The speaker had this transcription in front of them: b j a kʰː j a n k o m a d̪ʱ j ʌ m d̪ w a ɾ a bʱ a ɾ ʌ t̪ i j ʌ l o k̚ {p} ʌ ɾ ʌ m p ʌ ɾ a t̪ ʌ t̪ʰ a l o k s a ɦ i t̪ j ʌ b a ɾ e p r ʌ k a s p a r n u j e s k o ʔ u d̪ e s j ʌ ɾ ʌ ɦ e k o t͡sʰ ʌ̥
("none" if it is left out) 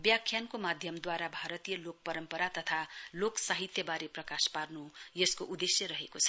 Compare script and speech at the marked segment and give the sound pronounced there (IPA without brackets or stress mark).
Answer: p